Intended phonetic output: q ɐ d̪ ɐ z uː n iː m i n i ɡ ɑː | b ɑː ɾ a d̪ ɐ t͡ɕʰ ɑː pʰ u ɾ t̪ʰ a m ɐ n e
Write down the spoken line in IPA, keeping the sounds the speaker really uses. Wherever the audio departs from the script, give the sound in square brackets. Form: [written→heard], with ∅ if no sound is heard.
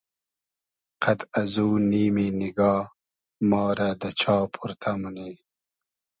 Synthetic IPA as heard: q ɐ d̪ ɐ z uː n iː m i n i ɡ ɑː | [b→m] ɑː ɾ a d̪ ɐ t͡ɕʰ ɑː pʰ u ɾ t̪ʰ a m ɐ n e